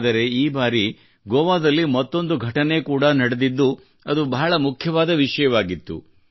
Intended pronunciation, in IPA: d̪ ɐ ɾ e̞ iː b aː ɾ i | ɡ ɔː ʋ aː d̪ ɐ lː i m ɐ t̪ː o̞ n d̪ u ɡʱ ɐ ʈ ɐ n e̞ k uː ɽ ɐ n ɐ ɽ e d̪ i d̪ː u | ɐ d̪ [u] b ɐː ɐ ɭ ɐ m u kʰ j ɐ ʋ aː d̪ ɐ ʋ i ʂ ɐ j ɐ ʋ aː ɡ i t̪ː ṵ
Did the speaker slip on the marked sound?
no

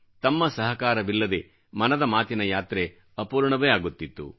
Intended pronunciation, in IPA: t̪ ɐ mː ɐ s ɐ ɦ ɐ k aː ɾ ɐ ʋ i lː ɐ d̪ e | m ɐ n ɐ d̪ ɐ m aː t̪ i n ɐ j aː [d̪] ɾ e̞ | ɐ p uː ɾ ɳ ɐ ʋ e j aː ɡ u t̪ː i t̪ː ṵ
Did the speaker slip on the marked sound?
yes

